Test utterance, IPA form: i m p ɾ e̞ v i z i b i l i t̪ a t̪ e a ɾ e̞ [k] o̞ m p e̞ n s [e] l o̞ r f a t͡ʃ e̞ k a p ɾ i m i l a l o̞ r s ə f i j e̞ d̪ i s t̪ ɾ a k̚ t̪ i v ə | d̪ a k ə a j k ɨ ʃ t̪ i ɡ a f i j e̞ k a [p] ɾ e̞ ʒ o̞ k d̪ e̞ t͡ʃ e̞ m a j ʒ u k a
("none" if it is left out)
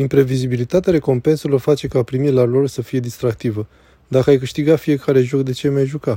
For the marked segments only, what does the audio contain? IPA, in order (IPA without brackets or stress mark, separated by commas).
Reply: k, e, none